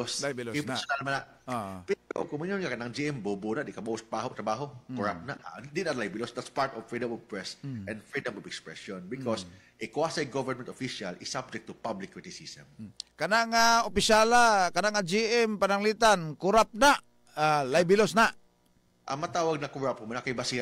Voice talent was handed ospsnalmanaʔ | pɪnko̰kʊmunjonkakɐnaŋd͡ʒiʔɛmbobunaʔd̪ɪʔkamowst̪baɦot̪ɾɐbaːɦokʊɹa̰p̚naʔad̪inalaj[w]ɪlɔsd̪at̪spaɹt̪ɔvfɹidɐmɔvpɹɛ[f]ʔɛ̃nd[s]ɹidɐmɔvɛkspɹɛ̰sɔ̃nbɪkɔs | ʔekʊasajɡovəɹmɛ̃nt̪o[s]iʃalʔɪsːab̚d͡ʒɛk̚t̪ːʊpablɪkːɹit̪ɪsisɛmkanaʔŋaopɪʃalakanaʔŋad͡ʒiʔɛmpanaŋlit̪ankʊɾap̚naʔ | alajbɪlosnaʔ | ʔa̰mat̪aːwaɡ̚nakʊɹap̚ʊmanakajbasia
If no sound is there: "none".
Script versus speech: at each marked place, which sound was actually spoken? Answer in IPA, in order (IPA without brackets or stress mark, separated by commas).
b, s, f, f